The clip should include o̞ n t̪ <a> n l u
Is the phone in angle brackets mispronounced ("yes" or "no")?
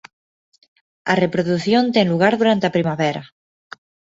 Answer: yes